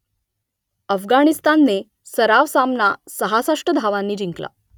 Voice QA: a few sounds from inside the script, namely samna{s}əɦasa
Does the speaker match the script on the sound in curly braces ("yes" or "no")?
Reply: yes